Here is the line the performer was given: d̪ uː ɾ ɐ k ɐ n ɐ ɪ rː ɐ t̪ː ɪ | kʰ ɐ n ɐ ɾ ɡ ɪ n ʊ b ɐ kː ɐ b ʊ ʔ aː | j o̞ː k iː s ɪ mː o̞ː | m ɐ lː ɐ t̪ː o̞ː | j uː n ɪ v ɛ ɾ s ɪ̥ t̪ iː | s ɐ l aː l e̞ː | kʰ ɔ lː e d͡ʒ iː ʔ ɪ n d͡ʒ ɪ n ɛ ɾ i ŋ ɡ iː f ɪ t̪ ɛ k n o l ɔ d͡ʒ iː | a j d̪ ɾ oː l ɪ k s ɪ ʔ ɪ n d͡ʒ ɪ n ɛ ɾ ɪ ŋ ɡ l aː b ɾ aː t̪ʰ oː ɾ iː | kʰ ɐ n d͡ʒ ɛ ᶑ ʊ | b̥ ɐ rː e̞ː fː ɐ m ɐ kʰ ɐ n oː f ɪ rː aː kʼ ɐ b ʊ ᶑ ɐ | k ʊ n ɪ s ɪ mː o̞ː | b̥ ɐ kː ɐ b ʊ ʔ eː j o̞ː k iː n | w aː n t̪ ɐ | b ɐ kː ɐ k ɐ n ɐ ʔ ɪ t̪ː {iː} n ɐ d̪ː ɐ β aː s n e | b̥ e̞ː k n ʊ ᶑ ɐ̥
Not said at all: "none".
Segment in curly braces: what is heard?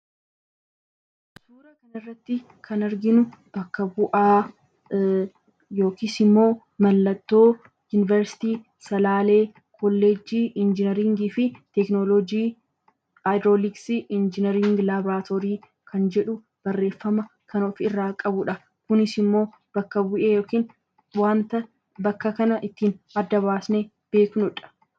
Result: iː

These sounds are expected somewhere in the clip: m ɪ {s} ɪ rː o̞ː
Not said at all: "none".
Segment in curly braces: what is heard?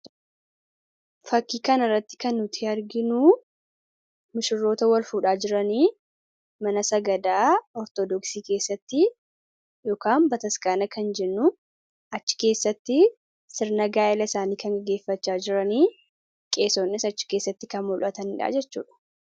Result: ʃ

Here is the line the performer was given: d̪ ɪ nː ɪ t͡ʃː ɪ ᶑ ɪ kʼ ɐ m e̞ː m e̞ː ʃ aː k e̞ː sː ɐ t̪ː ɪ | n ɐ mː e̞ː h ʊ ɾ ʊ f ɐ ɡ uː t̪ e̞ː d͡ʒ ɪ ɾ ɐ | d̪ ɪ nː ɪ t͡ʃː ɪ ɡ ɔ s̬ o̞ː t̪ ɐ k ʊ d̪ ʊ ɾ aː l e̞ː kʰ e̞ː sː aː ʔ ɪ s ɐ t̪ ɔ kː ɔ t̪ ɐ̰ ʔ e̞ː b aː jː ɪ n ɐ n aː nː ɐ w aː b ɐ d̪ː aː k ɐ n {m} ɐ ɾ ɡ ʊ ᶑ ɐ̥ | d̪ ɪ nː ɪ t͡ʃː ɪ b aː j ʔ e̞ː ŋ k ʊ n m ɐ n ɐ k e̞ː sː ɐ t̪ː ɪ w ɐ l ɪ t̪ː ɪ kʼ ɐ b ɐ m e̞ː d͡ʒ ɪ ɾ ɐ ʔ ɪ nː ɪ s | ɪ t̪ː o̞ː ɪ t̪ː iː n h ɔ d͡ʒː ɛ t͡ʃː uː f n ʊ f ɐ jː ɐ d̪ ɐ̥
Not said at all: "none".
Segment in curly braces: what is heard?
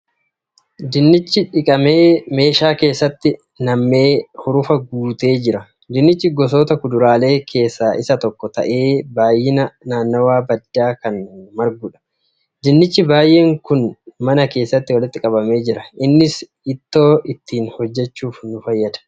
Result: m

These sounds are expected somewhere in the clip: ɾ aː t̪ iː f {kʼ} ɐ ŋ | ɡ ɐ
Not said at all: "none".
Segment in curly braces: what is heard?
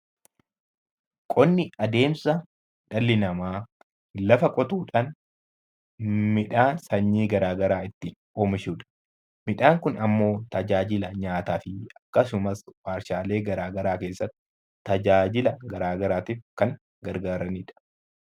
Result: k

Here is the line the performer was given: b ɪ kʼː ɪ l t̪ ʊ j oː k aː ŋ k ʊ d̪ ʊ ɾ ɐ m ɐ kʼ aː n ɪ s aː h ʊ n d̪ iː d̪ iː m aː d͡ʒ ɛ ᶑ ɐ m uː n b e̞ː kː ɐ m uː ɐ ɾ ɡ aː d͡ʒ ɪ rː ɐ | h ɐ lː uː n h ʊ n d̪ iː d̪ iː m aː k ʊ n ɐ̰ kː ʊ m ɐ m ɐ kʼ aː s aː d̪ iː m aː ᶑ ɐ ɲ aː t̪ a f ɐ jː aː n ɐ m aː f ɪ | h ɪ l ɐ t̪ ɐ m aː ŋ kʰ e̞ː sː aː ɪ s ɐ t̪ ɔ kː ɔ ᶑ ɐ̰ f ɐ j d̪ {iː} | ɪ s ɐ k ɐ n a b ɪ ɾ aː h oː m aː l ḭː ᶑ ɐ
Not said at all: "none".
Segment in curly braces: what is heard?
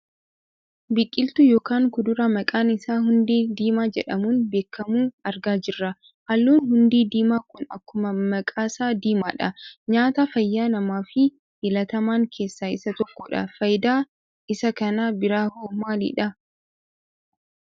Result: aː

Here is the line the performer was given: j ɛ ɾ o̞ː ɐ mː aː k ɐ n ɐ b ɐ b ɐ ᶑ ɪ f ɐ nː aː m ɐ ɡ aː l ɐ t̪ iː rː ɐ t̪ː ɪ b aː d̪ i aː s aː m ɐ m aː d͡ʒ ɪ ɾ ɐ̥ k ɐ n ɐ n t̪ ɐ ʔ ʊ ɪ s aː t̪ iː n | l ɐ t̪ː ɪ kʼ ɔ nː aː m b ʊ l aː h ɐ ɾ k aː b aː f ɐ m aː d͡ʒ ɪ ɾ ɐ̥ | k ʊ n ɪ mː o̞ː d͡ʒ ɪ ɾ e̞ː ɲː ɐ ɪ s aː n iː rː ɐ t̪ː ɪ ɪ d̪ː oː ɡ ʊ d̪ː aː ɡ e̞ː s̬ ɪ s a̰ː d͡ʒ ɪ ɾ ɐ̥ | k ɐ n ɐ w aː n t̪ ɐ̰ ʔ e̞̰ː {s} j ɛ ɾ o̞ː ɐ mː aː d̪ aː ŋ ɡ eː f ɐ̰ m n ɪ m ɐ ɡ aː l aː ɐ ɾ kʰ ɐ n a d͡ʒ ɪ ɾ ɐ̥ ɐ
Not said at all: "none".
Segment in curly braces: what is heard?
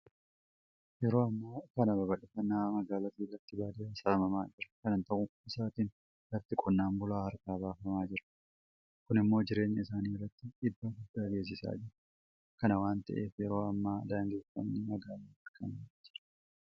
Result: f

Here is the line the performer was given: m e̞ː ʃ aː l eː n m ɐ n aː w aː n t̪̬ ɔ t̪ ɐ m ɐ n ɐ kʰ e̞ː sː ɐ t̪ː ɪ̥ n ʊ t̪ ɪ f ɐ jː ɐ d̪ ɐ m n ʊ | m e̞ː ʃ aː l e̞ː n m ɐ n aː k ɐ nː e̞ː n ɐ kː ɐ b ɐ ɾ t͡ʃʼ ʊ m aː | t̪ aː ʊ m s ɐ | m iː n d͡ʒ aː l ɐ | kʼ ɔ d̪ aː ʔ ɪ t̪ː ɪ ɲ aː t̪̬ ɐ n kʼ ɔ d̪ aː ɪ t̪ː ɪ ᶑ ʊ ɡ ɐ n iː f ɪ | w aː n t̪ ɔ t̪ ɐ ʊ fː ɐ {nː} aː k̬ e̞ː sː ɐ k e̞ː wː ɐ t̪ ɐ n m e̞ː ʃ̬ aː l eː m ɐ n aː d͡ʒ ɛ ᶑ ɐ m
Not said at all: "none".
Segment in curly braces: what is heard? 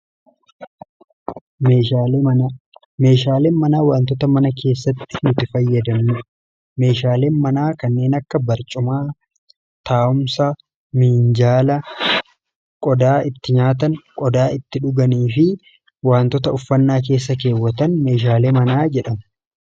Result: nː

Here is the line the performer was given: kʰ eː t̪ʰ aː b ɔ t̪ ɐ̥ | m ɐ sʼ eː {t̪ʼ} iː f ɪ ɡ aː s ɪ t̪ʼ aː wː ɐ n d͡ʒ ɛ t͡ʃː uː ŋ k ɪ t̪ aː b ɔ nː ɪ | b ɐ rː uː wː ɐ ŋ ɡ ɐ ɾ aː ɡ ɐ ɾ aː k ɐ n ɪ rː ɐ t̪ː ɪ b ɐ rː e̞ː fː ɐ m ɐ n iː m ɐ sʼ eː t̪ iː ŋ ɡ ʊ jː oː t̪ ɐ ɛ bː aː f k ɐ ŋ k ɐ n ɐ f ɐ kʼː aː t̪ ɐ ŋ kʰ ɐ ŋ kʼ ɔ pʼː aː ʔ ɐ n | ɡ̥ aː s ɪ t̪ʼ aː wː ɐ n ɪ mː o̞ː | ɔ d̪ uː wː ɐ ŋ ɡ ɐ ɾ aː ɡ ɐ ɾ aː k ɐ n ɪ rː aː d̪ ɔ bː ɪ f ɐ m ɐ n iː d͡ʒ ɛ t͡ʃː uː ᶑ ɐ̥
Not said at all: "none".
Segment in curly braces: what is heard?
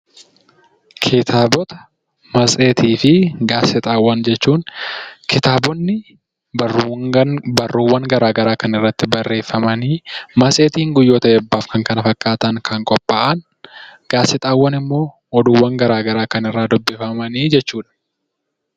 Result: t̪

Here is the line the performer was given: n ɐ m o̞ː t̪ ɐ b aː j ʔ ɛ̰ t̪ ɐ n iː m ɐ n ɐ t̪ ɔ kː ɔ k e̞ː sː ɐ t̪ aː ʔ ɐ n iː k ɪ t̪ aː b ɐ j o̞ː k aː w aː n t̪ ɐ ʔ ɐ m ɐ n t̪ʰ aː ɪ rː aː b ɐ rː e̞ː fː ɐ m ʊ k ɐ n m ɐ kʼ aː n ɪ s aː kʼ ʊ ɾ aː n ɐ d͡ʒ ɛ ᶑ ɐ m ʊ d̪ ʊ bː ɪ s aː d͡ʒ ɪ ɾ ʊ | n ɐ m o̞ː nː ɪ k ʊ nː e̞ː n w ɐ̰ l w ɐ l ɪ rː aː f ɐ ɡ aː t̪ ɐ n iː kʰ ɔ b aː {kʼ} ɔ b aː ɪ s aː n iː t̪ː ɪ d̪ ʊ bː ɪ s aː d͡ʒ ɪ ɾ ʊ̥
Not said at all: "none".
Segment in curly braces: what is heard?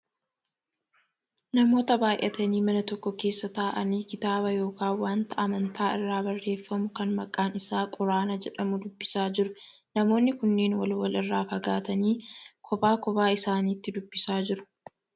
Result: k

